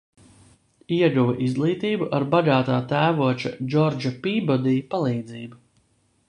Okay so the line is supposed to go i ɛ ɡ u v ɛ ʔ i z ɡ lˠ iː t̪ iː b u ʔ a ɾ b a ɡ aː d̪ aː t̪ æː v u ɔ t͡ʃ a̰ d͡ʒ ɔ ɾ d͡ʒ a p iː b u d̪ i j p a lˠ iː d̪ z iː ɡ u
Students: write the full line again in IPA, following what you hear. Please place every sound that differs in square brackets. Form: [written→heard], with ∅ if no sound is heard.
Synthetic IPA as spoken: i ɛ ɡ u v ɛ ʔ i z ɡ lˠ iː t̪ iː b u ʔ a ɾ b a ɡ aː [d̪→t̪] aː t̪ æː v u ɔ t͡ʃ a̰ d͡ʒ ɔ ɾ d͡ʒ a p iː b [u→ɔ] d̪ i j p a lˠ iː d̪ z iː [ɡ→b] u